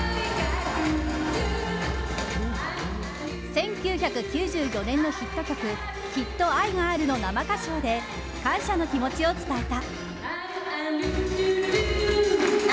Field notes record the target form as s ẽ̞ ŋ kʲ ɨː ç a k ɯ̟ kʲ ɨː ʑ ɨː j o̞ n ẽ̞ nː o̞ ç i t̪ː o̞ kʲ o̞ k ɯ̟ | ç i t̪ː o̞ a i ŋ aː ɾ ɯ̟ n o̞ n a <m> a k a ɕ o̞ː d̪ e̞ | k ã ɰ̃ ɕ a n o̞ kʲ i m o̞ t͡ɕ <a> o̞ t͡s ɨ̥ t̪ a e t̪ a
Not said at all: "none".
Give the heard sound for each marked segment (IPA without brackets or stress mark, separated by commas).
m, i